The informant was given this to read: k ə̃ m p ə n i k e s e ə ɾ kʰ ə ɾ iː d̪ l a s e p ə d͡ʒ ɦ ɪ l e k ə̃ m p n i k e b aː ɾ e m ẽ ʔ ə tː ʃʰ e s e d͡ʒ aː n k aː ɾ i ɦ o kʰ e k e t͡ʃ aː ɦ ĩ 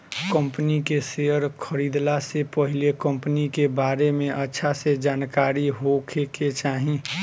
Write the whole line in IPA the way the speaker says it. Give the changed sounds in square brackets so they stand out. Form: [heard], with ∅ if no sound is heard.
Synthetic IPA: k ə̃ m p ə n i k e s e ə ɾ kʰ ə ɾ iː d̪ l a s e p ə [∅] ɦ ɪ l e k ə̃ m p n i k e b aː ɾ e m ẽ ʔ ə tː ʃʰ [a] s e d͡ʒ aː n k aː ɾ i ɦ o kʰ e k e t͡ʃ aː ɦ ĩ